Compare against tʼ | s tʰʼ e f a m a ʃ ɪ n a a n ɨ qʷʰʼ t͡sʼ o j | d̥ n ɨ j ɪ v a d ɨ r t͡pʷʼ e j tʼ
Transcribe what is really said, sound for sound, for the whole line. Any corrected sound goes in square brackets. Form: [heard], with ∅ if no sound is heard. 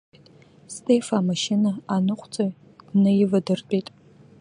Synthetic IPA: tʼ | s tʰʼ e f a m a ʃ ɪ n a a n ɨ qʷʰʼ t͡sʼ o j | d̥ n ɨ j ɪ v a d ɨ r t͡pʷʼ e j tʼ